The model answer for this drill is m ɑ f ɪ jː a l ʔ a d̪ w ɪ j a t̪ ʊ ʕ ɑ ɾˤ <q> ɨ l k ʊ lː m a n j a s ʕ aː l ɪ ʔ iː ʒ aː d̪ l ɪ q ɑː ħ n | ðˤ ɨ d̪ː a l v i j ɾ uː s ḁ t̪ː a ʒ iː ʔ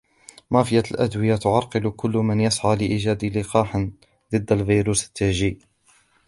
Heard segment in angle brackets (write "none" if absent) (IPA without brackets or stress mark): q